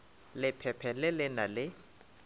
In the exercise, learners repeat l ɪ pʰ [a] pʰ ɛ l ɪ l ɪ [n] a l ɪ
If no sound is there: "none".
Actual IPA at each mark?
ɛ, n

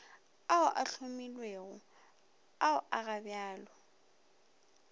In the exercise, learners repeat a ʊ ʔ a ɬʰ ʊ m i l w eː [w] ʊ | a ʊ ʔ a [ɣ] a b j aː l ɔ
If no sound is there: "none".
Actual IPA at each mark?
ɣ, ɣ

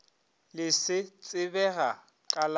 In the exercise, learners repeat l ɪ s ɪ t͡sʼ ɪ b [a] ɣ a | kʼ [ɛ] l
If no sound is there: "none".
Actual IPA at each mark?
ɛ, a

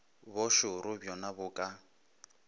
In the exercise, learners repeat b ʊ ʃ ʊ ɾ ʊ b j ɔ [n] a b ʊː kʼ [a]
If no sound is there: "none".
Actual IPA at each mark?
n, a

